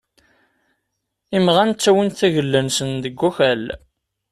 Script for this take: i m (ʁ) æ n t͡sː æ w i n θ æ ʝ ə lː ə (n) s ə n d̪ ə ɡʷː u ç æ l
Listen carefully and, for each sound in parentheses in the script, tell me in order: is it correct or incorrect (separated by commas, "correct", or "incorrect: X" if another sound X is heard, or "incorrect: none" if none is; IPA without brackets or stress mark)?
correct, correct